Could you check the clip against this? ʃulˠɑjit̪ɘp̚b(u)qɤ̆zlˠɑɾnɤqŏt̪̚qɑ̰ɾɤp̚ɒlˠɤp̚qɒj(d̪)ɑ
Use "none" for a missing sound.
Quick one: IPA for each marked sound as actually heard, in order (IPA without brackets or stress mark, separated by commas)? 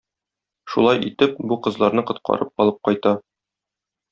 u, t̪